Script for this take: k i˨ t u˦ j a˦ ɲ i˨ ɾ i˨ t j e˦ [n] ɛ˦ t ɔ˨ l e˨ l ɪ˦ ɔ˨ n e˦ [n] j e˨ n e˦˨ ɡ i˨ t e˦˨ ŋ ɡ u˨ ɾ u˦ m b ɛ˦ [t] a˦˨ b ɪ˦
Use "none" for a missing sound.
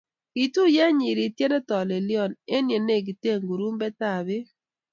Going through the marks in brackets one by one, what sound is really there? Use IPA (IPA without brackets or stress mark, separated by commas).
n, n, t